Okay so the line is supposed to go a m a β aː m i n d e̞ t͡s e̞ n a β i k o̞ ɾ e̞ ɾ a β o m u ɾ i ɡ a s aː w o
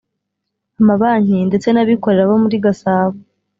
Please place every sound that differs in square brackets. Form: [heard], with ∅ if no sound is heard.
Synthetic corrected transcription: a m a β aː [ɲ] i n d e̞ t͡s e̞ n a β i k o̞ ɾ e̞ ɾ a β o m u ɾ i ɡ a s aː [β] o